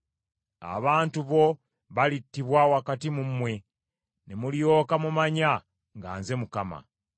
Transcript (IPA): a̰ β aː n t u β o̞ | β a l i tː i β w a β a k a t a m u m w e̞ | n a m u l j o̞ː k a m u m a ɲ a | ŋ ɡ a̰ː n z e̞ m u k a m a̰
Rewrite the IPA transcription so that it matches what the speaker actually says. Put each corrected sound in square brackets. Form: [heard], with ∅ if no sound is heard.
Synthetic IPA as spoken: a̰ β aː n t u β o̞ | β a l i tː i β w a [w] a k a t [i] m u m w e̞ | n [e] m u l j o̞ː k a m u m a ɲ a | ŋ ɡ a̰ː n z e̞ m u k a m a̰